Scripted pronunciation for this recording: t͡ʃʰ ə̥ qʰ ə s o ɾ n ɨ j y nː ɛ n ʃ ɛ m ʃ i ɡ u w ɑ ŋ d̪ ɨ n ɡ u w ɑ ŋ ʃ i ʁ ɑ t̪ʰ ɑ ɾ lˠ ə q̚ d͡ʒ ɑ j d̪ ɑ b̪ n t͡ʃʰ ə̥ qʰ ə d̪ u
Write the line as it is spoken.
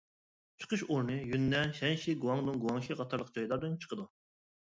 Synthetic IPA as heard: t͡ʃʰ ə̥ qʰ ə ʃ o ɾ n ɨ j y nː ɛ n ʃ ɛ n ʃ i ɡ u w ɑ ŋ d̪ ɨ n ɡ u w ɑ ŋ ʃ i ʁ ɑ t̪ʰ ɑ ɾ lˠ ə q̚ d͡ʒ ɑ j d̪ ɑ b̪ n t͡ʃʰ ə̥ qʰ ə d̪ u